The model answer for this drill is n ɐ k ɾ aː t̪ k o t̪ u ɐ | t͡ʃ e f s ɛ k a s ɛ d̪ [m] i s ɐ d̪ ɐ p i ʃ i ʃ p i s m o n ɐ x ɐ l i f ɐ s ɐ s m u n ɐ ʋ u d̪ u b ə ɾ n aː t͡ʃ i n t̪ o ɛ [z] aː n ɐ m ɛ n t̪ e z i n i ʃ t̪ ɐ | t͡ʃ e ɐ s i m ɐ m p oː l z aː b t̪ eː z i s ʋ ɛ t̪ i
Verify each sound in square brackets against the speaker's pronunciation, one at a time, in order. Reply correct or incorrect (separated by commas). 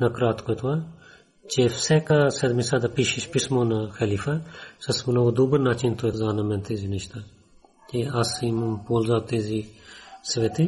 correct, correct